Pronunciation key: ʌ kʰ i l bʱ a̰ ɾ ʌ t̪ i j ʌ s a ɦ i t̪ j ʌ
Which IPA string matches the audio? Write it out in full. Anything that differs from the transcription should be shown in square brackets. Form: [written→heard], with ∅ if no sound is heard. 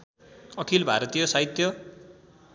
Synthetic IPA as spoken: ʌ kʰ i l bʱ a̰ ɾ ʌ t̪ i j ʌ s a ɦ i t̪ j ʌ